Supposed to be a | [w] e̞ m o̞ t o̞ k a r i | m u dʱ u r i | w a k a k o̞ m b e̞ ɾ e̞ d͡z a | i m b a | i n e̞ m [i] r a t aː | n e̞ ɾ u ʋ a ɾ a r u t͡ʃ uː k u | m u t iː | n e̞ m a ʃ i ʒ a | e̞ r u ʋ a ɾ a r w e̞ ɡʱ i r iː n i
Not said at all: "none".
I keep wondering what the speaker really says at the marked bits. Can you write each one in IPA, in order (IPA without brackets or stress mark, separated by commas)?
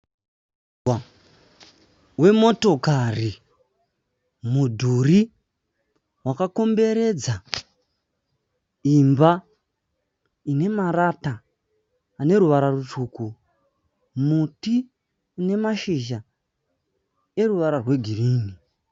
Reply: w, a